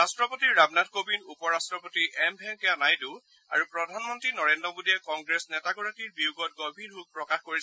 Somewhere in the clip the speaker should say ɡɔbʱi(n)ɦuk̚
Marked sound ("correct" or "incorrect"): correct